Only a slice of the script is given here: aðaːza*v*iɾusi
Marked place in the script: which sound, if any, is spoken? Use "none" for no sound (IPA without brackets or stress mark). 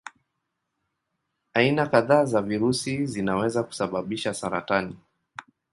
v